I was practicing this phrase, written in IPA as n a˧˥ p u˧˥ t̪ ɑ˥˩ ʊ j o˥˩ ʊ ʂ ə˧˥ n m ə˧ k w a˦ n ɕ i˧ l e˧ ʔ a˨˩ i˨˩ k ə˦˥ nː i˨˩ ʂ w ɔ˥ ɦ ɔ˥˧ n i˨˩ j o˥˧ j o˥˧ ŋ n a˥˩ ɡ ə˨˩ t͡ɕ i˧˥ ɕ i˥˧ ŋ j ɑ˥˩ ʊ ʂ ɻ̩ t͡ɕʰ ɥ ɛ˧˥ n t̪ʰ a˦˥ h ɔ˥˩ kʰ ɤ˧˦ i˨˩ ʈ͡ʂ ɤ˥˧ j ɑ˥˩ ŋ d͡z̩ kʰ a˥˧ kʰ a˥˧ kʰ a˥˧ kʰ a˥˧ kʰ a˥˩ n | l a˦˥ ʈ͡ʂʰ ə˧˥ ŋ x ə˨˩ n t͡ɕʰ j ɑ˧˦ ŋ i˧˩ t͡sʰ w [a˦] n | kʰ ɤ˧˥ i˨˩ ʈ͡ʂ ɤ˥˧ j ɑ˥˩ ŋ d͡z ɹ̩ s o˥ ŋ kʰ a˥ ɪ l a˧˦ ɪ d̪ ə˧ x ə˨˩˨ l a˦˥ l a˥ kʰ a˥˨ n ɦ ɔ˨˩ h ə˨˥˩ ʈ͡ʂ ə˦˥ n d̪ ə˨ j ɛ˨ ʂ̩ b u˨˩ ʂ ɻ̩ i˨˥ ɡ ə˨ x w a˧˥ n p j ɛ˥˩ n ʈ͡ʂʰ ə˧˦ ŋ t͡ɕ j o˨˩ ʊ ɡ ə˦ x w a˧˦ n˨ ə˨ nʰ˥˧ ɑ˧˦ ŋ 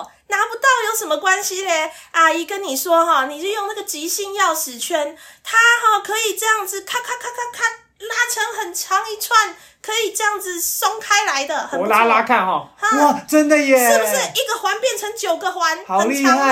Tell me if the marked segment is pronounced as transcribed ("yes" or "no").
no